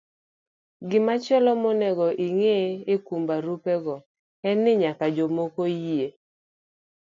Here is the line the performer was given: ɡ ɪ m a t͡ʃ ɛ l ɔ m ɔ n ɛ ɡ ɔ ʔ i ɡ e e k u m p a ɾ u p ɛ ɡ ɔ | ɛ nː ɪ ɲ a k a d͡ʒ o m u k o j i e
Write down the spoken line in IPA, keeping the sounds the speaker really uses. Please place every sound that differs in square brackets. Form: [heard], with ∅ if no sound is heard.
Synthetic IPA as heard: ɡ ɪ m a t͡ʃ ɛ l ɔ m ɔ n ɛ ɡ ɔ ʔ i [ŋ] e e k u m [b] a ɾ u p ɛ ɡ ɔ | ɛ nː ɪ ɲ a k a d͡ʒ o m [o] k o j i e